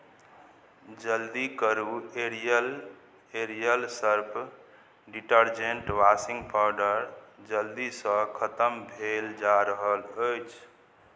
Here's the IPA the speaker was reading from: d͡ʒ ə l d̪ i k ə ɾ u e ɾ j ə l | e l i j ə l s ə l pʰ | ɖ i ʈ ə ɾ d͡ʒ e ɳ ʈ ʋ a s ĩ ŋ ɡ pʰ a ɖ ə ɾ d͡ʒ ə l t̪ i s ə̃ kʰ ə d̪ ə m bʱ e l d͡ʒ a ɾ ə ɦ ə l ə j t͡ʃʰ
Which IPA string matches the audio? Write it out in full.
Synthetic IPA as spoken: d͡ʒ ə l d̪ i k ə ɾ u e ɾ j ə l | e ɾ i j ə l s ə ɾ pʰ | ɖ i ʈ ə ɾ d͡ʒ e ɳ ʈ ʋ a s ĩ ŋ ɡ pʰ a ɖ ə ɾ d͡ʒ ə l d̪ i s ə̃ kʰ ə t̪ ə m bʱ e l d͡ʒ a ɾ ə ɦ ə l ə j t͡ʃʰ

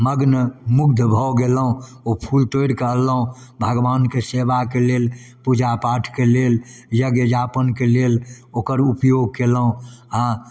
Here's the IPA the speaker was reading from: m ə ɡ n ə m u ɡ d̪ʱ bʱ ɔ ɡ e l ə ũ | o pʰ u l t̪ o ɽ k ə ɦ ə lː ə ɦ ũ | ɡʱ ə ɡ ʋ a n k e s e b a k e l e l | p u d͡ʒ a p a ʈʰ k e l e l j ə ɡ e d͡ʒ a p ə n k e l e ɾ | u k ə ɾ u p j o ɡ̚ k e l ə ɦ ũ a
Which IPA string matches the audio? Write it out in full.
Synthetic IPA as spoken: m ə ɡ n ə m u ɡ d̪ʱ bʱ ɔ ɡ e l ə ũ | o pʰ u l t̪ o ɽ k ə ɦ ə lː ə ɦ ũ | bʱ ə ɡ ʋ a n k e s e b a k e l e l | p u d͡ʒ a p a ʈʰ k e l e l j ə ɡ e d͡ʒ a p ə n k e l e l | o k ə ɾ u p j o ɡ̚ k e l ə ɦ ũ a

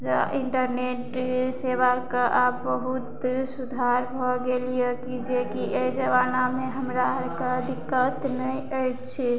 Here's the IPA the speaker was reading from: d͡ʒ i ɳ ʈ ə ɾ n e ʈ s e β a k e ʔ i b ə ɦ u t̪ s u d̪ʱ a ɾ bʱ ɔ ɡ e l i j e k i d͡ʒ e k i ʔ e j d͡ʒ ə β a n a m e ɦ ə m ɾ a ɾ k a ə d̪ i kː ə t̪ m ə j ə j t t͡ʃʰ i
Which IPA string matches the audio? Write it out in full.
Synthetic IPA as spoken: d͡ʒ i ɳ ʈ ə ɾ n e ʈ s e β a k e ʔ a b ə ɦ u t̪ s u d̪ʱ a ɾ bʱ ɔ ɡ e l i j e k i d͡ʒ e k i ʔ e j d͡ʒ ə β a n a m e ɦ ə m ɾ a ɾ k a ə d̪ i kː ə t̪ n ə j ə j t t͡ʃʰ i

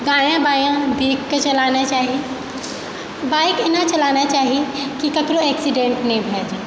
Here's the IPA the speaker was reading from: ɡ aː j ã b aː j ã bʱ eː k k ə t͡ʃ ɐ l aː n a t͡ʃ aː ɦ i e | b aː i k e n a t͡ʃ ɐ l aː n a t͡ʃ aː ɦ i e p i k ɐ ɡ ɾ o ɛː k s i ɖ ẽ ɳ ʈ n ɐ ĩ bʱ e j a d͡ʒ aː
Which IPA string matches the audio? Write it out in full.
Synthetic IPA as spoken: ɡ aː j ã b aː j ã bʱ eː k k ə t͡ʃ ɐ l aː n a t͡ʃ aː ɦ i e | b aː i k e n a t͡ʃ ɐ l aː n a t͡ʃ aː ɦ i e k i k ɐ k ɾ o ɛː k s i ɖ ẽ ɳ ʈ n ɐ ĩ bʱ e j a d͡ʒ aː

